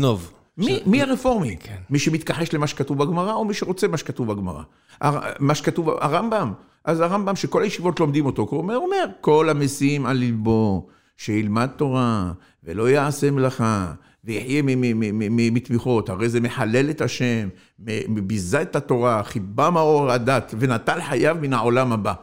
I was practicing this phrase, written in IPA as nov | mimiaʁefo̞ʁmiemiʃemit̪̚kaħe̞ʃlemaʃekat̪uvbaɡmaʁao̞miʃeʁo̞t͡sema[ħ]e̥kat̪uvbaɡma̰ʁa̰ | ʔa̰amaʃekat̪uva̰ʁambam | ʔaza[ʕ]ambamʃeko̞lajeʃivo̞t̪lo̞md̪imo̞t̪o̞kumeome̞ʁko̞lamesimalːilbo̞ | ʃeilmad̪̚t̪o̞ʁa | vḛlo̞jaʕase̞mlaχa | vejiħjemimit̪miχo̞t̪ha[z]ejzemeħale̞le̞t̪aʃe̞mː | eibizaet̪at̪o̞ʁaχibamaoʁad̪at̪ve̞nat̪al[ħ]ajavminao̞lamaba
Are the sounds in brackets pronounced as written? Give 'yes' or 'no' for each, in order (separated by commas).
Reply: no, no, no, yes